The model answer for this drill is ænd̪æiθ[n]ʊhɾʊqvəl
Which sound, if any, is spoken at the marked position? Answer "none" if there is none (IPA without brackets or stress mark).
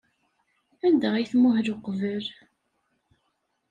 m